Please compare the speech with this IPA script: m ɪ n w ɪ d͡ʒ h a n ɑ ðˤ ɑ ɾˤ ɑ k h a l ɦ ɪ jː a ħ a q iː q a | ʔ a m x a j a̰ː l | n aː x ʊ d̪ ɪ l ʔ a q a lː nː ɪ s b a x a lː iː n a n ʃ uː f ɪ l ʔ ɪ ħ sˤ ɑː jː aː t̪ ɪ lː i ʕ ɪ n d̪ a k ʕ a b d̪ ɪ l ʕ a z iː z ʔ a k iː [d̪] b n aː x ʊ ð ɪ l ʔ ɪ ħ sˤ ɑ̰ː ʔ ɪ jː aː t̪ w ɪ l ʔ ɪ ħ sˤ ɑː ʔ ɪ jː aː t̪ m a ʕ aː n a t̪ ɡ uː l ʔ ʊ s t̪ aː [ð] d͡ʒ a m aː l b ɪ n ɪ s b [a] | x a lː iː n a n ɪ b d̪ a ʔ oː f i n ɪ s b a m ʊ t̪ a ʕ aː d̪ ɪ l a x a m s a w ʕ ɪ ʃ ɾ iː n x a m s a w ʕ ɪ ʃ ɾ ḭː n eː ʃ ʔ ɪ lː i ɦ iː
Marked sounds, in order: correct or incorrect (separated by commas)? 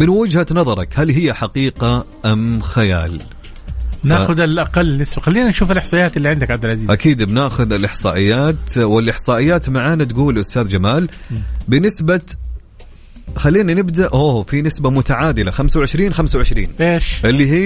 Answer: correct, correct, correct